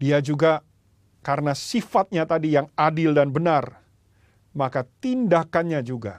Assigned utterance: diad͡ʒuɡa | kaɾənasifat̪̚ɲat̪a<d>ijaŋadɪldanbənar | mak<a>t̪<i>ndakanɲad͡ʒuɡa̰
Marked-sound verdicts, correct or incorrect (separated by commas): correct, correct, correct